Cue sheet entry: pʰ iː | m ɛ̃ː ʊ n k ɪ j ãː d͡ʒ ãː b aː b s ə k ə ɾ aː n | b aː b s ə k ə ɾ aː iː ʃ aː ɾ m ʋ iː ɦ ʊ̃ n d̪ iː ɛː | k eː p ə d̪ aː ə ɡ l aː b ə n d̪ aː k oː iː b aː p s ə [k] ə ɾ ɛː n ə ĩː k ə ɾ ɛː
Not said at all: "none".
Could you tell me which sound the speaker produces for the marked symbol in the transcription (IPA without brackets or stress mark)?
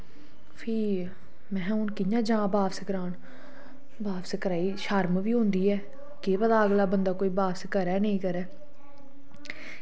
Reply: k